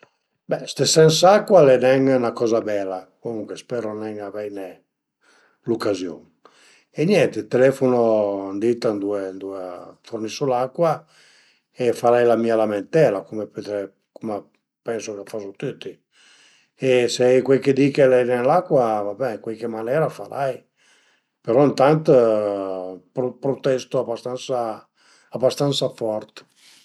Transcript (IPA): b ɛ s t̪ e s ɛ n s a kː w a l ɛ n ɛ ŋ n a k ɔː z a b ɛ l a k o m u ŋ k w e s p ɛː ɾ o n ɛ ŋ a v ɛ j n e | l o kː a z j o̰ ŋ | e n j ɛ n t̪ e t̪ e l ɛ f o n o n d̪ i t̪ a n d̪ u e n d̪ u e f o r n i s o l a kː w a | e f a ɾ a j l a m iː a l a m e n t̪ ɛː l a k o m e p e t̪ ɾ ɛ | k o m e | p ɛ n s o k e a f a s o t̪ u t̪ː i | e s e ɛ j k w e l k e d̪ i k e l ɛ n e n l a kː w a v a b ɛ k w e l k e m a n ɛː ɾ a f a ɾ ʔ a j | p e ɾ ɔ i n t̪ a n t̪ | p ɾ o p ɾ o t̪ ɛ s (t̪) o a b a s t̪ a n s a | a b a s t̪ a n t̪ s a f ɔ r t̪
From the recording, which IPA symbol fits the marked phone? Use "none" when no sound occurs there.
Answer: t̪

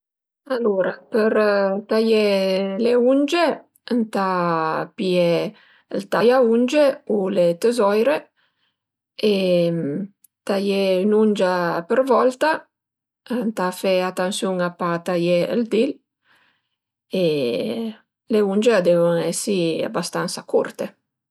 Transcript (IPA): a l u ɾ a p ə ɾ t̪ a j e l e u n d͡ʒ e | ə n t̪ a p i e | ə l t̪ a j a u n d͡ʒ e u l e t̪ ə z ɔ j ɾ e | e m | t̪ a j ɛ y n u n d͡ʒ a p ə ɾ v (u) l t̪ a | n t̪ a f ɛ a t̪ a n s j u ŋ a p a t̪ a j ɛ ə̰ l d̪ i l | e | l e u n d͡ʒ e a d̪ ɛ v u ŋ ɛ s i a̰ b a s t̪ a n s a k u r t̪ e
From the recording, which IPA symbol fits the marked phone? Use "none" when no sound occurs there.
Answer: ɔ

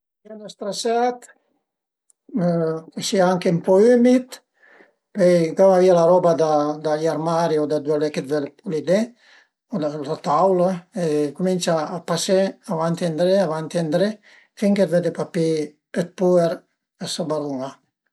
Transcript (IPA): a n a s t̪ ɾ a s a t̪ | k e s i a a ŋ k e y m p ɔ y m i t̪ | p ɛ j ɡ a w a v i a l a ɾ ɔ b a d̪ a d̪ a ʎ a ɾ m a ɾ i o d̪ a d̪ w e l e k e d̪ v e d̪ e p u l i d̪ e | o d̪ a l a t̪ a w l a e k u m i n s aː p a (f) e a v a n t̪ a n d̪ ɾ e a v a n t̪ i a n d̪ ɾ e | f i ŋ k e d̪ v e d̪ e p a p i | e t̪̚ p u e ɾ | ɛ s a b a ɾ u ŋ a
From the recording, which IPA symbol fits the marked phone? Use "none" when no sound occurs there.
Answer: s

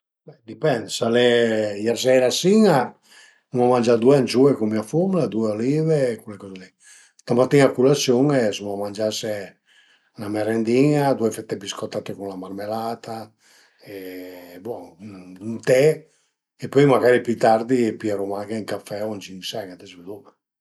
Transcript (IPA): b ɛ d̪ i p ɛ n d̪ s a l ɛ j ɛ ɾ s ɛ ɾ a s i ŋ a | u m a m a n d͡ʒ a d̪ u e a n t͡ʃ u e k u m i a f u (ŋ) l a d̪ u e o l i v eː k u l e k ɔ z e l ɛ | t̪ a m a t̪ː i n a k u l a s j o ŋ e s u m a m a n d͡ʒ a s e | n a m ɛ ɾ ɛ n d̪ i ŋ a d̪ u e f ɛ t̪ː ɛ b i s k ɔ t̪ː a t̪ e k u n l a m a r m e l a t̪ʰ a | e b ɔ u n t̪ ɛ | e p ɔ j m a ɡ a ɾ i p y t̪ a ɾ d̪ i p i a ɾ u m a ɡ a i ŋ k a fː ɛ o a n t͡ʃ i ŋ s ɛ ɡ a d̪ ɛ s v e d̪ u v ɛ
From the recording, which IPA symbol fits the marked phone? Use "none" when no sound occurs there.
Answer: m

